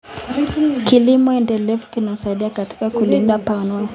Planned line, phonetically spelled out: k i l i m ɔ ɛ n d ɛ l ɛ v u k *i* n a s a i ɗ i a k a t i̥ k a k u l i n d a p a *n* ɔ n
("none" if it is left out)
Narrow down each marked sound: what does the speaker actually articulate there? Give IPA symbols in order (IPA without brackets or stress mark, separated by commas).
i, n